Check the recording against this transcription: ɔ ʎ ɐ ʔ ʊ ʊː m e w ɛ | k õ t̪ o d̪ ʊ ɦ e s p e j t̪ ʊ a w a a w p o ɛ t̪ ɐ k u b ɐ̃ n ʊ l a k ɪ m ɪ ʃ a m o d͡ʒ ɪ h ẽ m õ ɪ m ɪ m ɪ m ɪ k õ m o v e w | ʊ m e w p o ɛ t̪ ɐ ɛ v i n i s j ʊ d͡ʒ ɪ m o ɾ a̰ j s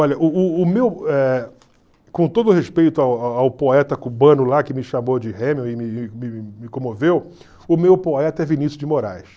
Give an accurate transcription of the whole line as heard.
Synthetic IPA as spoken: ɔ ʎ ɐ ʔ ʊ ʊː m e w ɛ | k õ t̪ o d̪ ʊ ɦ e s p e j t̪ ʊ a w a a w p o ɛ t̪ ɐ k u b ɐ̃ n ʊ l a k ɪ m ɪ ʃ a m o d͡ʒ ɪ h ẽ m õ ɪ m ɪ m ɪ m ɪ k õ m o v e w | ʊ m e w p o ɛ t̪ ɐ ɛ v i n i s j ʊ d͡ʒ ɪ m o ɾ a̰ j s